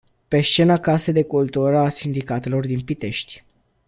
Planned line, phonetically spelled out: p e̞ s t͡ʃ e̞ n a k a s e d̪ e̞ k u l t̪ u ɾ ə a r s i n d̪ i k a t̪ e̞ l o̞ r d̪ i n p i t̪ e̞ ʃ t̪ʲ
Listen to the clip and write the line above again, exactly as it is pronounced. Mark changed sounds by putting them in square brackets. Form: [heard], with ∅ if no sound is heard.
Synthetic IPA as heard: p e̞ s t͡ʃ e̞ n a k a s e d̪ e̞ k u l t̪ u ɾ ə a [∅] s i n d̪ i k a t̪ e̞ l o̞ r d̪ i n p i t̪ e̞ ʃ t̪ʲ